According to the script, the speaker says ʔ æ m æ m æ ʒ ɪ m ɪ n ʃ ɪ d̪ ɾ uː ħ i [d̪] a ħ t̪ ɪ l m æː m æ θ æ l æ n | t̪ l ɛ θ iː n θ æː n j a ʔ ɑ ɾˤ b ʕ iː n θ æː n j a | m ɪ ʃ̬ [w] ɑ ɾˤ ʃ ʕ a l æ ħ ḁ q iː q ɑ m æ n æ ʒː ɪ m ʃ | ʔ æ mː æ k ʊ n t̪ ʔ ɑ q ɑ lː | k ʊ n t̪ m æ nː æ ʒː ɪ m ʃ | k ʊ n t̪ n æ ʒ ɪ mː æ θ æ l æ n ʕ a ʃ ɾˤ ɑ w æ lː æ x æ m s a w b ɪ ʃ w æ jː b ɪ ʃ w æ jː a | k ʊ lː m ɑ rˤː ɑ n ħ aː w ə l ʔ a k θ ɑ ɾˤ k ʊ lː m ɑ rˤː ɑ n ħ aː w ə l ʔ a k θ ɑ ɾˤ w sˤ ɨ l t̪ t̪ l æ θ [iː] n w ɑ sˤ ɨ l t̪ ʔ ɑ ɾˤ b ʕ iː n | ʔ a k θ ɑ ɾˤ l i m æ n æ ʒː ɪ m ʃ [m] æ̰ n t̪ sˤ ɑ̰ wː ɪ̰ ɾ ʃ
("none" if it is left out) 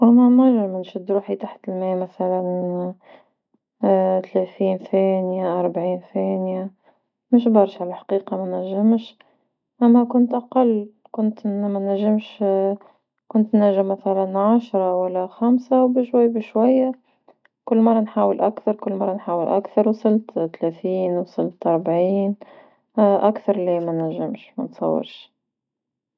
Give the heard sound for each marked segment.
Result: t̪, b, iː, m

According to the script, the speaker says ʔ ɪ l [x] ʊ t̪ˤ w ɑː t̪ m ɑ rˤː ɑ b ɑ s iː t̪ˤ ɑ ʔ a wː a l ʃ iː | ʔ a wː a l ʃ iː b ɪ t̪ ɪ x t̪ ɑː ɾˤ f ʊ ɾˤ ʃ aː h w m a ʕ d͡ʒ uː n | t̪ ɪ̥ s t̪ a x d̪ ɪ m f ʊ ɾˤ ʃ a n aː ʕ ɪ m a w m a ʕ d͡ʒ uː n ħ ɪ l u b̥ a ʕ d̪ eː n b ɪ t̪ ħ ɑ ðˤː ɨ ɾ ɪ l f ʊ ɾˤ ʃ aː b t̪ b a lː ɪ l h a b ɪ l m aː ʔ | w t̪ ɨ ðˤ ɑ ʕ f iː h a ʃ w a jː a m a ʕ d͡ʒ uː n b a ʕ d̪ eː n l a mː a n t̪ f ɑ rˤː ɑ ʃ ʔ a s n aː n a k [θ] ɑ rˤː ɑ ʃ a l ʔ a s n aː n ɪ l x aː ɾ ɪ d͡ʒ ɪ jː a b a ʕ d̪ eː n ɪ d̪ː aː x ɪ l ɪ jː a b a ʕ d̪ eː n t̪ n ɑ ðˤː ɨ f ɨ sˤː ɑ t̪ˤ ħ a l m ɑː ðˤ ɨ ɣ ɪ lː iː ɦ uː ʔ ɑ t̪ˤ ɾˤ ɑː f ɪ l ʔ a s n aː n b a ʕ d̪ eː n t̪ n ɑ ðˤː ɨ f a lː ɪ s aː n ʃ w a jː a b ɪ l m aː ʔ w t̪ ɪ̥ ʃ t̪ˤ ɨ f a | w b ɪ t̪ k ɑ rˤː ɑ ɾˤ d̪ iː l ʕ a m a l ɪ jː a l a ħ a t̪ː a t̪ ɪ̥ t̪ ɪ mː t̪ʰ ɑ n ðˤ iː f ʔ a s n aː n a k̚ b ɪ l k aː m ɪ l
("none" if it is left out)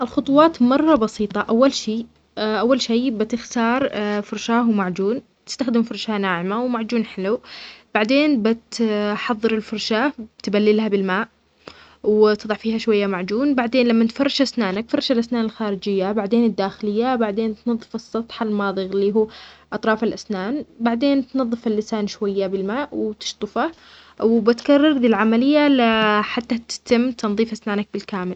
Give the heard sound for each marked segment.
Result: x, f

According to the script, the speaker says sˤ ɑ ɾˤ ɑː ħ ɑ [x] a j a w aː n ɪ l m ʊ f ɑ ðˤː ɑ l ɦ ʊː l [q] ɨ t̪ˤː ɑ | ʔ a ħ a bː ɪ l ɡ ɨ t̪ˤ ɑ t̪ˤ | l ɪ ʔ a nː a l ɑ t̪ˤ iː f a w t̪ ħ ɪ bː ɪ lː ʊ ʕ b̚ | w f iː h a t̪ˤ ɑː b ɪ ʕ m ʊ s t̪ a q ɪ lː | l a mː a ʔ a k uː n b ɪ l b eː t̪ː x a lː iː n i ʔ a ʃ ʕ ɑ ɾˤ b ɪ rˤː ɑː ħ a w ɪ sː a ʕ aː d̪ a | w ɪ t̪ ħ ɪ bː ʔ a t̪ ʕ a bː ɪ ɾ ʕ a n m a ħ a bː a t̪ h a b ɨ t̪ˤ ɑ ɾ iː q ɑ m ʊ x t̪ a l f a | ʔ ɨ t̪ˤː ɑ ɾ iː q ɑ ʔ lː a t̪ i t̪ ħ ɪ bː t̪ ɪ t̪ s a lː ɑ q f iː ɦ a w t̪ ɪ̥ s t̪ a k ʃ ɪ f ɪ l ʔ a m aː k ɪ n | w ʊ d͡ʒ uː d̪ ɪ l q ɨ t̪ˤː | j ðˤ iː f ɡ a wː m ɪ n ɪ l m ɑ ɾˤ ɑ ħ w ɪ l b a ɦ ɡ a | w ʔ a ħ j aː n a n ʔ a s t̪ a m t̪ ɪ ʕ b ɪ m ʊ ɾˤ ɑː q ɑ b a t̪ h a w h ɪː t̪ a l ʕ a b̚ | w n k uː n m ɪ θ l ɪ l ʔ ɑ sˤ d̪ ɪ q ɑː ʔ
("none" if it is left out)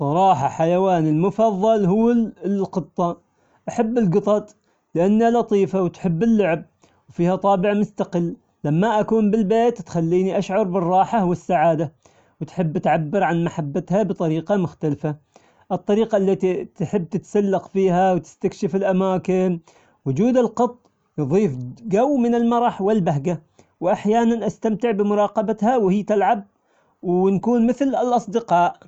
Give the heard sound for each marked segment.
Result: ħ, q

